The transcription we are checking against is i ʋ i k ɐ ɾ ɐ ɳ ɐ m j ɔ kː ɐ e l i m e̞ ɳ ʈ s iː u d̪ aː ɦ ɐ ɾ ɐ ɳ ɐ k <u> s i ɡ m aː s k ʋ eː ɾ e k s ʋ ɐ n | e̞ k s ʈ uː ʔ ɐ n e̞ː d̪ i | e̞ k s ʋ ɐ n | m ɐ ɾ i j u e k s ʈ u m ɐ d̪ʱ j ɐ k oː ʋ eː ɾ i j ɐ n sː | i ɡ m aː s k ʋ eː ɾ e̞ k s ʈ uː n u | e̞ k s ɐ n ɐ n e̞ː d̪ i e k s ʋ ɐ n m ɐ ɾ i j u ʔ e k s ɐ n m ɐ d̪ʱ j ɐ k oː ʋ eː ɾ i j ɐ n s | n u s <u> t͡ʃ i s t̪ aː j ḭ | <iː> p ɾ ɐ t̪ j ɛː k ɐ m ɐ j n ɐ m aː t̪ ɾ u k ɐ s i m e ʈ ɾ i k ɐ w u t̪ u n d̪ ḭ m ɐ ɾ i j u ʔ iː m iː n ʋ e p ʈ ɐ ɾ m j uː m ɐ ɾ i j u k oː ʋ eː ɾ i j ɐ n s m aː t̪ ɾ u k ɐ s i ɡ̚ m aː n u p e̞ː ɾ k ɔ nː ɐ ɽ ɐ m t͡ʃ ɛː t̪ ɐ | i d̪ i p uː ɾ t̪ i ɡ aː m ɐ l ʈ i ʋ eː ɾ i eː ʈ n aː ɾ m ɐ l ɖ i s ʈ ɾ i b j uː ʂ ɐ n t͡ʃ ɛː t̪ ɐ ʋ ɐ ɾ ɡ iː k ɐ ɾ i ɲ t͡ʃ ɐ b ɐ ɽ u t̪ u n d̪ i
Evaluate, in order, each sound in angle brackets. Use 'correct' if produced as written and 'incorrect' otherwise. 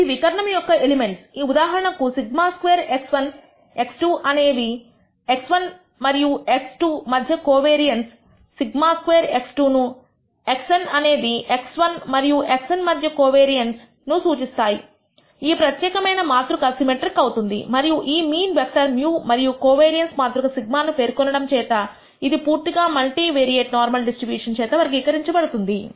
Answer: correct, incorrect: uː, correct

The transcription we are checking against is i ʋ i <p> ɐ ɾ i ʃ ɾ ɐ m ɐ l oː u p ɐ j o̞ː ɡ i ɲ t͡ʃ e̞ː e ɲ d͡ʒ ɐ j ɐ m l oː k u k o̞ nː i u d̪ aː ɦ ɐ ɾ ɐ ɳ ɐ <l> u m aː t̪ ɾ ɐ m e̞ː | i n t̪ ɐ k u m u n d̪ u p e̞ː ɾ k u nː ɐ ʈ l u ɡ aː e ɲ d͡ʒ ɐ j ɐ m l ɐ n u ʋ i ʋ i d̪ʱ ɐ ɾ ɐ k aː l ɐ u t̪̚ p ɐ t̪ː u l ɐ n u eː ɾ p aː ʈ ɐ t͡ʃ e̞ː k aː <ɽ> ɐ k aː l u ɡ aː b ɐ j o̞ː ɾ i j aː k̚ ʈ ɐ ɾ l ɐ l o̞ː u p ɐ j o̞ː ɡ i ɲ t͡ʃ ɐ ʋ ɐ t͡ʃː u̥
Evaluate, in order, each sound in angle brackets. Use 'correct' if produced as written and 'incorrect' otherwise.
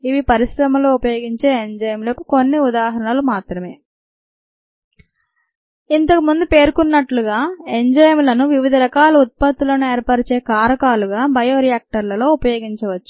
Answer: correct, correct, incorrect: ɾ

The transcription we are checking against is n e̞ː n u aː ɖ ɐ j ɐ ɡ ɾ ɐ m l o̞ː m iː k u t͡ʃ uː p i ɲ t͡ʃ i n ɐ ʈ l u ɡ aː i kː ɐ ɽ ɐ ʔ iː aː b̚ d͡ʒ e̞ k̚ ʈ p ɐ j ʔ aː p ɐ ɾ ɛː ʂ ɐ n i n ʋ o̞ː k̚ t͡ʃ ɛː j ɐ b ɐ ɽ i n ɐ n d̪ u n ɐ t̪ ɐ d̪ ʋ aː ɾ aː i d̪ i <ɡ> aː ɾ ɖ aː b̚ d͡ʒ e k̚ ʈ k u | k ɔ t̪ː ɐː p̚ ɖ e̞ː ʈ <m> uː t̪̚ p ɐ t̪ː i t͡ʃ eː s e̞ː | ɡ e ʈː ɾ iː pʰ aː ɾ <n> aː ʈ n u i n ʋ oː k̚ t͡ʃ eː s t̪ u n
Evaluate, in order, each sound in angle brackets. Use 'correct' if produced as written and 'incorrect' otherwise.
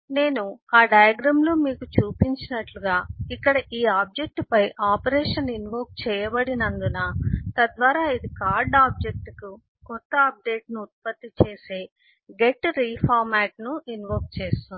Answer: incorrect: k, incorrect: n, incorrect: m

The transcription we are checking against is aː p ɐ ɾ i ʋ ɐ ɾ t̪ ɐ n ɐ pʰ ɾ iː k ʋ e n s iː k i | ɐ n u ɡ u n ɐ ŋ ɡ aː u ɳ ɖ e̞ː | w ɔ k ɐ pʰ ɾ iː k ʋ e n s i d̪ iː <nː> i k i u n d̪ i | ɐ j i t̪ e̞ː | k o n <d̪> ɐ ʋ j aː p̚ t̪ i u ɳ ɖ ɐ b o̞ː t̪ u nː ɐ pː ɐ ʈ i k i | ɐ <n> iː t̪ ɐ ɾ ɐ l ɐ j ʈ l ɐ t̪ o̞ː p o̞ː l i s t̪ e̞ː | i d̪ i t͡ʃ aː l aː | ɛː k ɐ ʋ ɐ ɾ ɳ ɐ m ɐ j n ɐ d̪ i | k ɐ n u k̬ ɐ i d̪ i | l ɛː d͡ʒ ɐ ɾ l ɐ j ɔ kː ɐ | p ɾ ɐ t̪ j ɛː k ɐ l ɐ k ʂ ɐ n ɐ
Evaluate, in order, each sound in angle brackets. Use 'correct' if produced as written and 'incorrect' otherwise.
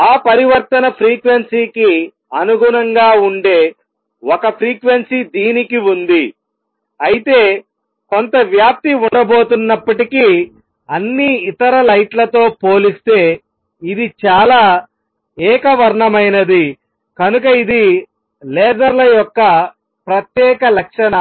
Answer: incorrect: n, incorrect: t̪, incorrect: nː

